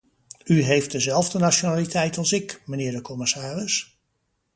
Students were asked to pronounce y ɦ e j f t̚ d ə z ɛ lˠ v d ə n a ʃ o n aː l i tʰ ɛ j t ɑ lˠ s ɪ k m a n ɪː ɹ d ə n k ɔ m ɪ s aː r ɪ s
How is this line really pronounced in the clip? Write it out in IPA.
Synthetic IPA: y ɦ e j f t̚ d ə z ɛ lˠ v d ə n a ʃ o n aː l i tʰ ɛ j t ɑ lˠ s ɪ k m ə n ɪː ɹ d ə k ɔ m ɪ s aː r ɪ s